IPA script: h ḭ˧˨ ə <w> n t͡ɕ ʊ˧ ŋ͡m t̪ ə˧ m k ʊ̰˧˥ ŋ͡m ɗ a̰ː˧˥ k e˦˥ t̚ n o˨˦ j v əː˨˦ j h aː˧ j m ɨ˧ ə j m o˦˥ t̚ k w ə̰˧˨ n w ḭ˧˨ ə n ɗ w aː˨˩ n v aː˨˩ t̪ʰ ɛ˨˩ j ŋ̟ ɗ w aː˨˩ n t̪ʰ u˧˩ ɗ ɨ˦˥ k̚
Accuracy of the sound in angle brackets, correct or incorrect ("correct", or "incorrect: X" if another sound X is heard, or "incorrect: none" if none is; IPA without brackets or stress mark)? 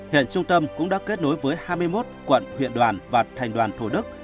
incorrect: none